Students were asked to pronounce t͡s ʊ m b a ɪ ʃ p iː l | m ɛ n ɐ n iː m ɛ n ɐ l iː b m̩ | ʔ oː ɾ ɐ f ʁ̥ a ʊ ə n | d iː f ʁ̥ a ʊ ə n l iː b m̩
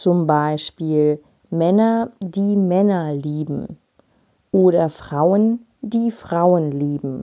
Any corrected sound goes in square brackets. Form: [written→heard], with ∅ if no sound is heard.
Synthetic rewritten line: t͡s ʊ m b a ɪ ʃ p iː l | m ɛ n ɐ [n→d] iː m ɛ n ɐ l iː b m̩ | ʔ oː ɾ ɐ f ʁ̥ a ʊ ə n | d iː f ʁ̥ a ʊ ə n l iː b m̩